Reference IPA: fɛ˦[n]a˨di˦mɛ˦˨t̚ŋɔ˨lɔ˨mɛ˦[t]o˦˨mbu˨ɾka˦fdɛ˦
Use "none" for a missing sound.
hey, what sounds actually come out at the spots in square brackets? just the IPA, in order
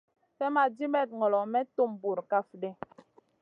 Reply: m, t

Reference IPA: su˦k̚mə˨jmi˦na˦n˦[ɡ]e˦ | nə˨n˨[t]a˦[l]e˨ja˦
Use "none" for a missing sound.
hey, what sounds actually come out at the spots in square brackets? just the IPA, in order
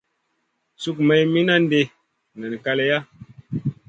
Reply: d, k, l

